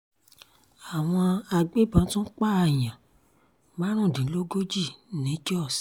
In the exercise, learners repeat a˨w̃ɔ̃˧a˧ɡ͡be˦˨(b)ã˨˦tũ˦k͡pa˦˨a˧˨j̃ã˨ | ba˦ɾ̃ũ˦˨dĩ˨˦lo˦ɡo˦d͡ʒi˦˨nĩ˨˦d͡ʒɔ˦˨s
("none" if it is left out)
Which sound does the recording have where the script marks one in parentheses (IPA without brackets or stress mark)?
b